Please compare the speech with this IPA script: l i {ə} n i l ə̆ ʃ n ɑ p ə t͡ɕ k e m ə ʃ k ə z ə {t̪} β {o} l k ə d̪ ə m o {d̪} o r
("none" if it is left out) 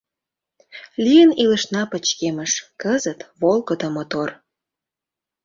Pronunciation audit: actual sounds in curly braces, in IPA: ə, t̪, o, t̪

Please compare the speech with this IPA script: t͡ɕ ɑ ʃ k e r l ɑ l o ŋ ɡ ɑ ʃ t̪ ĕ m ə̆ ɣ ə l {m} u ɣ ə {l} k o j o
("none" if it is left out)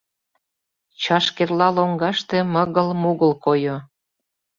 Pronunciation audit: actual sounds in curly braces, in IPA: m, l

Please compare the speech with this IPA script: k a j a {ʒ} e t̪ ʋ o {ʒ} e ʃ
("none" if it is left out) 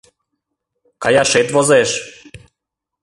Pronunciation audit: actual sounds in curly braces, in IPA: ʃ, z

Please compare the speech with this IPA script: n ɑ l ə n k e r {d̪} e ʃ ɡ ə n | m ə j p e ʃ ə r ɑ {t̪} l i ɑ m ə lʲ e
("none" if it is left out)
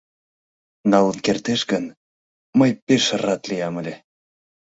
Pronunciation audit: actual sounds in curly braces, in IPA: t̪, t̪

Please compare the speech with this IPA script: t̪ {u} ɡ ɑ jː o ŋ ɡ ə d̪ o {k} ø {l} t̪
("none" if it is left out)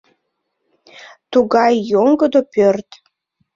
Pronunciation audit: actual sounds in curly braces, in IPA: u, p, r

